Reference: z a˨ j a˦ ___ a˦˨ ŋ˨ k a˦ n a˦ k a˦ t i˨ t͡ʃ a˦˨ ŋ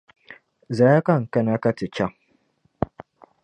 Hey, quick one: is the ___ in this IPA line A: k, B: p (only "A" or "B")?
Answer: A